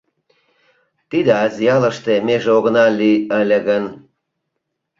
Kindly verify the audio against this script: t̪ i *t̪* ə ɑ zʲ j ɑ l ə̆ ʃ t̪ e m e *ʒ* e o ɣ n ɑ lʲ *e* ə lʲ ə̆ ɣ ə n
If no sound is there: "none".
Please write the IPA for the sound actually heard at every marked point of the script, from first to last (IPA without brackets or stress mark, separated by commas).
d̪, ʒ, i